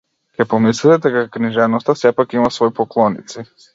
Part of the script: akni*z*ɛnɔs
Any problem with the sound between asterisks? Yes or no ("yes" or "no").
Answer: yes